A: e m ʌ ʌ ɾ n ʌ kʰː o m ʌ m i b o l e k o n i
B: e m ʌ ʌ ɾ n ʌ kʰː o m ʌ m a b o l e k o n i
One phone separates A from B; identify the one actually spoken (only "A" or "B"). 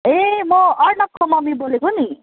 A